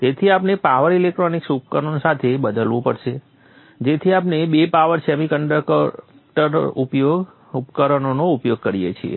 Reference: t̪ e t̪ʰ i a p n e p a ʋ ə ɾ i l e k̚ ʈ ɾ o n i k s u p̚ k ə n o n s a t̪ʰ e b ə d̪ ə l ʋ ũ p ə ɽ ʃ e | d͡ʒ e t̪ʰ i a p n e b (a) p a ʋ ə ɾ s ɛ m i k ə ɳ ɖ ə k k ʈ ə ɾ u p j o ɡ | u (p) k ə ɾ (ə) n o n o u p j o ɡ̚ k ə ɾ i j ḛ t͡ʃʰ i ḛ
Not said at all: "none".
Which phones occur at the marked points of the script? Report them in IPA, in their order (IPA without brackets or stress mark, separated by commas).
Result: e, p, ə